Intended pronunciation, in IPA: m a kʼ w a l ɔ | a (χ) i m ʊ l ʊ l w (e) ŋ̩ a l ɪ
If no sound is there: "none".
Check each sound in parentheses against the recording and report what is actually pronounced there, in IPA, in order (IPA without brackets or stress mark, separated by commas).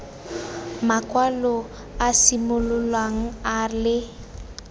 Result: s, a